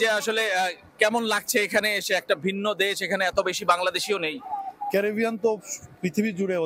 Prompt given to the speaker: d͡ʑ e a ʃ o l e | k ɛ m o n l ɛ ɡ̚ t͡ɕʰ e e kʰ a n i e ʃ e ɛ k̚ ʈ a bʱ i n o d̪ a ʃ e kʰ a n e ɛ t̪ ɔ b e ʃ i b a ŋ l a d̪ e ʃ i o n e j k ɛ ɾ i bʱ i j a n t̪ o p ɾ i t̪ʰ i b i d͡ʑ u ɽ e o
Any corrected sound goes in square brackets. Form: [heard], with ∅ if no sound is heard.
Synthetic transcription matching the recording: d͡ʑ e a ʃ o l e | k ɛ m o n l [a] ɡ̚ t͡ɕʰ e e kʰ a n [e] e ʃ e ɛ k̚ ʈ a bʱ i [nː] o d̪ [e] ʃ e kʰ a n e ɛ t̪ [o] b e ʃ i b a ŋ l a d̪ e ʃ i o n e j k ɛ ɾ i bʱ i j a n t̪ o p ɾ i t̪ʰ i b i d͡ʑ u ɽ e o